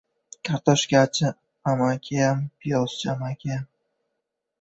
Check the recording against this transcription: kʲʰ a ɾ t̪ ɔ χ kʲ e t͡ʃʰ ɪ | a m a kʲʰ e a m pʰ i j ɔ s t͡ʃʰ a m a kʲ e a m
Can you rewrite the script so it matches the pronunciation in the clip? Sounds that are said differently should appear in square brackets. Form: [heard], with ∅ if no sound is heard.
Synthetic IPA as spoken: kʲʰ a ɾ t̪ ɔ [ʃ] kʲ [a] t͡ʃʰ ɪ | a m a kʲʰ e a m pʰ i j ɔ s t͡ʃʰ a m a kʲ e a m